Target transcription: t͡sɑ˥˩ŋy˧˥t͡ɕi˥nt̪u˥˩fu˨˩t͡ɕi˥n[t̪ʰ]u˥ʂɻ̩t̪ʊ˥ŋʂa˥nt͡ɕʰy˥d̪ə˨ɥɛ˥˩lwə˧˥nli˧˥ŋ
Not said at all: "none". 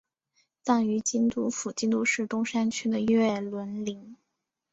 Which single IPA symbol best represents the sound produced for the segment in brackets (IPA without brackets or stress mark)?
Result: t̪